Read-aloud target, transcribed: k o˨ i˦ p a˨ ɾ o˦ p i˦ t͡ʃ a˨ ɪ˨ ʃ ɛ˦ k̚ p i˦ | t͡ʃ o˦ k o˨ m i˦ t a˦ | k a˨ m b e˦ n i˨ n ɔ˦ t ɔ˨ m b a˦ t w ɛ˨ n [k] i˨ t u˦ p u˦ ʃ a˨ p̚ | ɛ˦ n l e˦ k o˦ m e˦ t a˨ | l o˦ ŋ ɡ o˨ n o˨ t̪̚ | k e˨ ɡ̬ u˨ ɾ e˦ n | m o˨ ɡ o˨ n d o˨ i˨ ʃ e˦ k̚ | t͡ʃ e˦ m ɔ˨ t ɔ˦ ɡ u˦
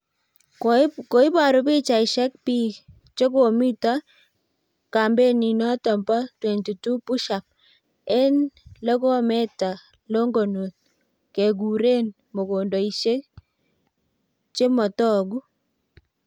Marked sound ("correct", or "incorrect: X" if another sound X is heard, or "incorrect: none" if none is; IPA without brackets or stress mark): incorrect: t